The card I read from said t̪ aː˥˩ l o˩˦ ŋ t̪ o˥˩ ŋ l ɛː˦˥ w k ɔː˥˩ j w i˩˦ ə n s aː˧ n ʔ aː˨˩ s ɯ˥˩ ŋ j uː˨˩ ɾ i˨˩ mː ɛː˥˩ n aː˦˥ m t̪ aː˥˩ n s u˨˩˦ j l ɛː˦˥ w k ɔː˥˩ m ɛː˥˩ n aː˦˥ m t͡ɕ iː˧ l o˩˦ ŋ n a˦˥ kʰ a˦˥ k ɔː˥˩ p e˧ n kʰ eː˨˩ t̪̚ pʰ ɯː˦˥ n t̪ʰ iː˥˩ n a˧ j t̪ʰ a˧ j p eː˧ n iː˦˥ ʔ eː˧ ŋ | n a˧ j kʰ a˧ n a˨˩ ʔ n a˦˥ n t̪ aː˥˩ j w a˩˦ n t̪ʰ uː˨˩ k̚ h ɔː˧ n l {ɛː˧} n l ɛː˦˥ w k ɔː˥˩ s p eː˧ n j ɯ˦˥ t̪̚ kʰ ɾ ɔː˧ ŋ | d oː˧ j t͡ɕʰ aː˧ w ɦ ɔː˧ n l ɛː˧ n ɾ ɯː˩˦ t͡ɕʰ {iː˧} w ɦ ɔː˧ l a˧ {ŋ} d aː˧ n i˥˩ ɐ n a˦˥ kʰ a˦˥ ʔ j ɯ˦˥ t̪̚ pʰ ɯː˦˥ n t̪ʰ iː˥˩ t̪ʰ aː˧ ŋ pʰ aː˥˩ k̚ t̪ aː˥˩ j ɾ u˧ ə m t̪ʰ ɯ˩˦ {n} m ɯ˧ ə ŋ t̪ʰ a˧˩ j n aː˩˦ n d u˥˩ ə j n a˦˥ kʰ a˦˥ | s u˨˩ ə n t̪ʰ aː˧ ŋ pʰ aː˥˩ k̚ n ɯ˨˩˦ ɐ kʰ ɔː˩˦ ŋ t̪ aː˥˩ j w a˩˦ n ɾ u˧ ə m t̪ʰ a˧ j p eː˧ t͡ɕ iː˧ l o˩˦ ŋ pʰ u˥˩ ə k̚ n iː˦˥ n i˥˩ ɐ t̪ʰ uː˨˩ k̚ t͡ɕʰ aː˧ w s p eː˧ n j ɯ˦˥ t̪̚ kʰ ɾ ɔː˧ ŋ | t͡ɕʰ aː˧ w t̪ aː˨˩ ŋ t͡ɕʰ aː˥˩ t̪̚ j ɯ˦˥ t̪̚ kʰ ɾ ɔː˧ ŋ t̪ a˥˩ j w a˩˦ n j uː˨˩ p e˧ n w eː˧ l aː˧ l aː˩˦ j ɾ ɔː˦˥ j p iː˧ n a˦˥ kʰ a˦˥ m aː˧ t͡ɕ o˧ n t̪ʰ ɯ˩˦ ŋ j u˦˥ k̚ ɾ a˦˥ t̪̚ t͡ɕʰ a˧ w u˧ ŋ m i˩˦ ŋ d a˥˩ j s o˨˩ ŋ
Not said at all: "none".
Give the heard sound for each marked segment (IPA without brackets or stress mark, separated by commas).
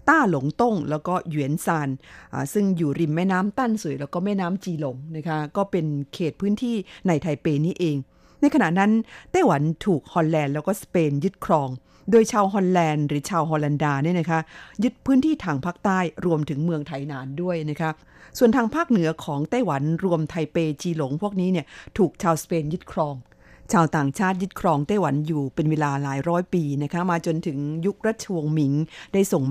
ɛː˧, aː˧, n, ŋ